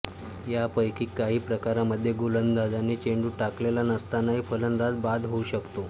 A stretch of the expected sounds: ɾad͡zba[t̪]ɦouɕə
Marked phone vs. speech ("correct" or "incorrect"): incorrect